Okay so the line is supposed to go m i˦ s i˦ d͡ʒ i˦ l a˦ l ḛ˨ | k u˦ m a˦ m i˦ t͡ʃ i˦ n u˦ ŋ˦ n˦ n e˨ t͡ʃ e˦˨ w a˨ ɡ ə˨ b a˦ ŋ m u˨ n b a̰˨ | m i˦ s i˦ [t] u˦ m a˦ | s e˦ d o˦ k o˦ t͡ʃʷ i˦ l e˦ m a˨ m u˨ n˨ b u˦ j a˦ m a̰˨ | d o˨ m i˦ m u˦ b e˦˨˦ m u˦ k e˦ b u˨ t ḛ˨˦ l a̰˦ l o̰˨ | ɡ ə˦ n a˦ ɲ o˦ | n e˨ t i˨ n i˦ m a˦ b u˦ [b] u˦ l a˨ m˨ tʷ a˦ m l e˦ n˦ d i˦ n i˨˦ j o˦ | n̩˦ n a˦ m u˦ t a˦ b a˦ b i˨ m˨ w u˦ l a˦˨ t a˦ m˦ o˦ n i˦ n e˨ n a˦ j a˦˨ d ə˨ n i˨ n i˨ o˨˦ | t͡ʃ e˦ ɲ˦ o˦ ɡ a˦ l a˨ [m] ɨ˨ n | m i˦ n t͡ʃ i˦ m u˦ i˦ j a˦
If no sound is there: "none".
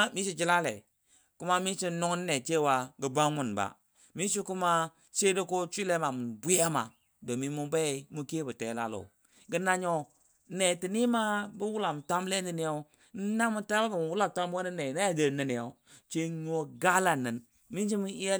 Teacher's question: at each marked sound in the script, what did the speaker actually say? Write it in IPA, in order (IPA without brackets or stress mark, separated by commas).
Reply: k, w, n